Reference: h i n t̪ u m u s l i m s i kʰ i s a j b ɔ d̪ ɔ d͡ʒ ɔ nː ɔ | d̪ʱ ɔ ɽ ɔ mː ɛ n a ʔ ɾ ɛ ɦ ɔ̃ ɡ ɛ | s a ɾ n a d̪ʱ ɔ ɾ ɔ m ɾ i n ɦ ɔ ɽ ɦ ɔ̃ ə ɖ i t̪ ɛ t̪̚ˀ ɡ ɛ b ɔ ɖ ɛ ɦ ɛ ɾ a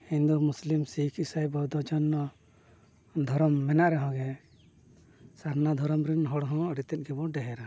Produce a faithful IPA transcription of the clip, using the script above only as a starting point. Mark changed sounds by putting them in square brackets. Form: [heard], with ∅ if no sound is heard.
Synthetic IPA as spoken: h i n [d̪] u m u s l i m s i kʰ i s a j b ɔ d̪ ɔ d͡ʒ ɔ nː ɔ | d̪ʱ ɔ [ɾ] ɔ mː ɛ n a ʔ ɾ ɛ ɦ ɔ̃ ɡ ɛ | s a ɾ n a d̪ʱ ɔ ɾ ɔ m ɾ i n ɦ ɔ ɽ ɦ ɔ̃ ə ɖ i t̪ ɛ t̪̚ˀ ɡ ɛ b ɔ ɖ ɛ ɦ ɛ ɾ a